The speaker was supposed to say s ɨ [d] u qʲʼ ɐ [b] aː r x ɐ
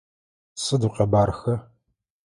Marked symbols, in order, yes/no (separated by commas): yes, yes